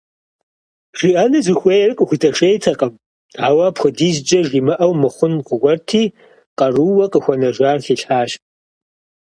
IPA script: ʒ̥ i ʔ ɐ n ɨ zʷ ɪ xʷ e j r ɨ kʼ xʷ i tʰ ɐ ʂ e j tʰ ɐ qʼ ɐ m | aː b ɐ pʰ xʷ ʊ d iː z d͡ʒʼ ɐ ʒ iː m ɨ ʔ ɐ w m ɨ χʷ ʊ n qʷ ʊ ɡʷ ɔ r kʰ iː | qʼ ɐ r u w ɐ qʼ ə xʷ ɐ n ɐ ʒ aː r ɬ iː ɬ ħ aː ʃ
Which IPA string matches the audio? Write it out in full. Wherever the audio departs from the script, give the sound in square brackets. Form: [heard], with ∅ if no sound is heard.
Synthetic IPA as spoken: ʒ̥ i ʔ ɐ n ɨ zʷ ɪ xʷ e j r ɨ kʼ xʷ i tʰ ɐ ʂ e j tʰ ɐ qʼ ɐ m | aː [w] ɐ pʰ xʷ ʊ d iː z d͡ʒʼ ɐ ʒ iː m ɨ ʔ ɐ w m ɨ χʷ ʊ n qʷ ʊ ɡʷ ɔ r [tʰ] iː | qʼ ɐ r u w ɐ qʼ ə xʷ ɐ n ɐ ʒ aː r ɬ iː ɬ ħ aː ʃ